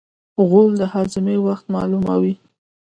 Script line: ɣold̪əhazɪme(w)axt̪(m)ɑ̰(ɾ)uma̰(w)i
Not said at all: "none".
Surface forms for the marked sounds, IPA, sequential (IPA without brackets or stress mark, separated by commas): w, m, l, w